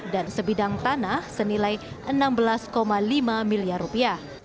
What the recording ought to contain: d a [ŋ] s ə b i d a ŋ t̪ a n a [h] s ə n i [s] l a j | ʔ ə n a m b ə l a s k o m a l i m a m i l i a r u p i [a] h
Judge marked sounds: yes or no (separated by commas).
no, yes, no, yes